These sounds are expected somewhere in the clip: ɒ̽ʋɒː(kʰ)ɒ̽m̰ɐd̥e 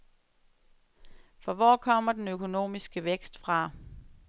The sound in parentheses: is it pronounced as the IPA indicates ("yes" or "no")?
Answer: yes